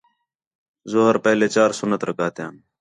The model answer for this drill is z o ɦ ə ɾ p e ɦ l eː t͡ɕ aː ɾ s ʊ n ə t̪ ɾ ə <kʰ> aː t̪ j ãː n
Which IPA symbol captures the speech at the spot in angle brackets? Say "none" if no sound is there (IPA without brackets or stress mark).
k